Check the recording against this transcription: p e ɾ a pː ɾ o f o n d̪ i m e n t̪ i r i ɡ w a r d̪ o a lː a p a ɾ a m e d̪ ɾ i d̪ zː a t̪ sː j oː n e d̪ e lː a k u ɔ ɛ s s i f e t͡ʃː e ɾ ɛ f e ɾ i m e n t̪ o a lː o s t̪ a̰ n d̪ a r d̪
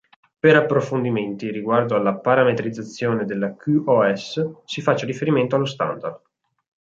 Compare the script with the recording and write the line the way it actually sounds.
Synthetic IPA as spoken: p e ɾ a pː ɾ o f o n d̪ i m e n t̪ i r i ɡ w a r d̪ o a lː a p a ɾ a m e t̪ ɾ i d̪ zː a t̪ sː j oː n e d̪ e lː a k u ɔ ɛ s s i f a t͡ʃː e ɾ i f e ɾ i m e n t̪ o a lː o s t̪ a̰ n d̪ a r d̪